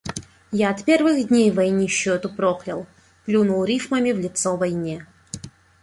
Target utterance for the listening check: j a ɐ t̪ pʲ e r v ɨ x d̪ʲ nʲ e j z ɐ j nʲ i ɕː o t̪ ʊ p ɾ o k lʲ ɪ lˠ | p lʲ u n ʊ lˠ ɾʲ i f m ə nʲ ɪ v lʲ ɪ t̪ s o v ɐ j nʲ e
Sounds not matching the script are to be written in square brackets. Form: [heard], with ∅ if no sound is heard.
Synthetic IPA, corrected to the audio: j a ɐ t̪ pʲ e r v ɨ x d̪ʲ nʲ e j [v] ɐ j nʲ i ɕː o t̪ ʊ p ɾ o [x] lʲ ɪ lˠ | p lʲ u n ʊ lˠ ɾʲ i f m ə [mʲ] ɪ v lʲ ɪ t̪ s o v ɐ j nʲ e